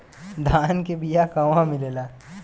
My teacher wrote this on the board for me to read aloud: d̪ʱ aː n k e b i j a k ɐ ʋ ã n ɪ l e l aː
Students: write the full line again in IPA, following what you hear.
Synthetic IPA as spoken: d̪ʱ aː n k e b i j a k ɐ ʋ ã m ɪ l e l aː